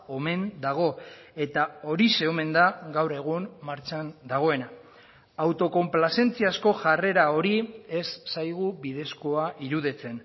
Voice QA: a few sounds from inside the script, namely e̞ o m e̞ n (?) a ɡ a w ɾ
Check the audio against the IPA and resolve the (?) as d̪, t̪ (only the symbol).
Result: d̪